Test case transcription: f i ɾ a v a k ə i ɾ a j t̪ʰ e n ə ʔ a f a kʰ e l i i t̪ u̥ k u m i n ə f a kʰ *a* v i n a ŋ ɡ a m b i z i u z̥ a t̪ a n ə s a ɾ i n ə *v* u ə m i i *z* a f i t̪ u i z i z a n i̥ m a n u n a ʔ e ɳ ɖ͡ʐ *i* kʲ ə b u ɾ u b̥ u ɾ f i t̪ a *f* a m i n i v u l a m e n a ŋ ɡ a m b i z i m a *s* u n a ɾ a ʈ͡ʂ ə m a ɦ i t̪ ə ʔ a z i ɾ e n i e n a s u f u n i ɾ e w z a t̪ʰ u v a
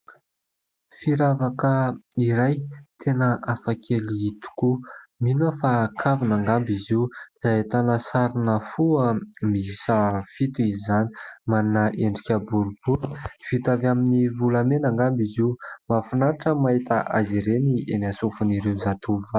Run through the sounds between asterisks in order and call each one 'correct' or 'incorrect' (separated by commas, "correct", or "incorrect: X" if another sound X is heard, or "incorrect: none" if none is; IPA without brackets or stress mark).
correct, incorrect: f, incorrect: s, correct, incorrect: v, incorrect: f